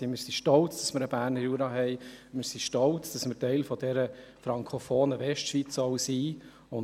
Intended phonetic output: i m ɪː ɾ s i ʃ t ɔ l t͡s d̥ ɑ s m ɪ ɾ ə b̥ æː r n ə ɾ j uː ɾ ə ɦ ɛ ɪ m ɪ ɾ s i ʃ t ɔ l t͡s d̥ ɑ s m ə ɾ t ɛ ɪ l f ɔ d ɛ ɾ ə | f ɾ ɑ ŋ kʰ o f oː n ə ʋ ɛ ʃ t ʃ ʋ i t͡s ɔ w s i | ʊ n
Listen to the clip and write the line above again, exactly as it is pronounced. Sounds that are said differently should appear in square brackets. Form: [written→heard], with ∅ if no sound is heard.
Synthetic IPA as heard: i m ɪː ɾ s i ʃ t ɔ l t͡s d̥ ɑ s m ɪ ɾ ə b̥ æː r n ə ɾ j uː ɾ [ə→ɑ] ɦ ɛ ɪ m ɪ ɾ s i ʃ t ɔ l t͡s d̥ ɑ s m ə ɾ t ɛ ɪ l f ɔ d ɛ ɾ ə | f ɾ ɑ ŋ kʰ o f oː n ə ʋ ɛ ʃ t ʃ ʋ i t͡s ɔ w s i | ʊ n

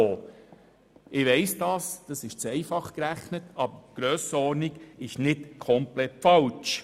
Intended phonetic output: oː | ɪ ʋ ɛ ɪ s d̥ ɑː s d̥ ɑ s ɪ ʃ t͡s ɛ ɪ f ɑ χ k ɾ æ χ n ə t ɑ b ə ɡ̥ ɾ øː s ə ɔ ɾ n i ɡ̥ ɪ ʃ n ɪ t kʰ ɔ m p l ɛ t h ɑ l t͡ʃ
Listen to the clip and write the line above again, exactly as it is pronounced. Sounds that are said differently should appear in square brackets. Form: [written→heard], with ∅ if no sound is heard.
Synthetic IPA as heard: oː | ɪ ʋ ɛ ɪ s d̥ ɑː s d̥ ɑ s ɪ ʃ t͡s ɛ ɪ f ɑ χ k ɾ æ χ n ə t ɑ b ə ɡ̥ ɾ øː s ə ɔ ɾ n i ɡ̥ ɪ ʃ n ɪ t kʰ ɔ m p l ɛ t [h→f] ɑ l t͡ʃ

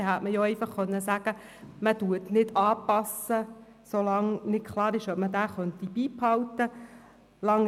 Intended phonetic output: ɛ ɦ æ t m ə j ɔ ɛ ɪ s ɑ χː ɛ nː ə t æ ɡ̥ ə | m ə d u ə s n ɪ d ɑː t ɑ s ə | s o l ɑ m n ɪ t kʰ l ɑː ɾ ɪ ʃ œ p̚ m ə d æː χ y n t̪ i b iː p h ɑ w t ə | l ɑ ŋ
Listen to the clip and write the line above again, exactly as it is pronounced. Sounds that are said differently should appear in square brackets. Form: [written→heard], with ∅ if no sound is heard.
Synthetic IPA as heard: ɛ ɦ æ t m ə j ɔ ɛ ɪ [s→f] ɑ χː [ɛ→œ] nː ə [t→s] æ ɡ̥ ə | m ə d u ə [s→t] n ɪ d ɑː [t→p] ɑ s ə | s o l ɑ [m→ŋ] n ɪ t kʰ l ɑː ɾ ɪ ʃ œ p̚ m ə d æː χ [y→œ] n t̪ i b iː p h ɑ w t ə | l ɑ ŋ

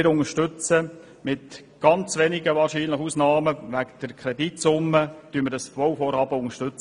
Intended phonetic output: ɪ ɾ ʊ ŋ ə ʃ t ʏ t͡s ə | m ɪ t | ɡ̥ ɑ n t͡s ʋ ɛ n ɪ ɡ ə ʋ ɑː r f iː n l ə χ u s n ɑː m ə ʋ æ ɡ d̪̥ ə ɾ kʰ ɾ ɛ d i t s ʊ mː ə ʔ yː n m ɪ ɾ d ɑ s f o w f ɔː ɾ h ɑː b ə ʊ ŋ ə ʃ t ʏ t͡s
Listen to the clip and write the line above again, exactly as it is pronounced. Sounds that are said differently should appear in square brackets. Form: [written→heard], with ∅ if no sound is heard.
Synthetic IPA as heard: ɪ ɾ ʊ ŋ ə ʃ t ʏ t͡s ə | m ɪ t | ɡ̥ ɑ n t͡s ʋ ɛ n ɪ ɡ ə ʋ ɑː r [f→ʃ] iː n l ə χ u s n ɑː m ə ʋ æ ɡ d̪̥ ə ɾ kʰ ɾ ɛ d i t s ʊ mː ə [ʔ→t] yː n m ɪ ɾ d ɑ s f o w f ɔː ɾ h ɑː b ə ʊ ŋ ə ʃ t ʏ t͡s

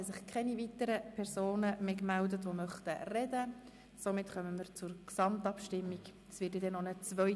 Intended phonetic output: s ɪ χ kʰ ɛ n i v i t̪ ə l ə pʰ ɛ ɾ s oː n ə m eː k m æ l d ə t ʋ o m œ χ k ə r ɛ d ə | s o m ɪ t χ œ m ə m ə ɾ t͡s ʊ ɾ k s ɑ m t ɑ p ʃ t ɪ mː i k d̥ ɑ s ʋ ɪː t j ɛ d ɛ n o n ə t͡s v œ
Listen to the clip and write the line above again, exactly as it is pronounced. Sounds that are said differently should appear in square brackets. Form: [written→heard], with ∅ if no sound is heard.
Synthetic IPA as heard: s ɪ χ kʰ ɛ n i v i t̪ ə [l→ɾ] ə pʰ ɛ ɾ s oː n ə m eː k m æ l d ə t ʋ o m œ χ [k→t] ə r ɛ d ə | s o m ɪ t χ œ m ə m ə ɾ t͡s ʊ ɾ k s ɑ m t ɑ p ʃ t ɪ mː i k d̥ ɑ s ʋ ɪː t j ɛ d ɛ n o n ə t͡s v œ

